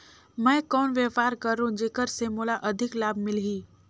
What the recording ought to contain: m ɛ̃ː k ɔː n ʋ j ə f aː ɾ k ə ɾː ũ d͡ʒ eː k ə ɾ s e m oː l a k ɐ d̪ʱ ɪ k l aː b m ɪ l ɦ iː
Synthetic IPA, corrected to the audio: m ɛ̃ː k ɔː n ʋ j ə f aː ɾ k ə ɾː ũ d͡ʒ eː k ə ɾ s e m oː l a ʔ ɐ d̪ʱ ɪ k l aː b m ɪ l ɦ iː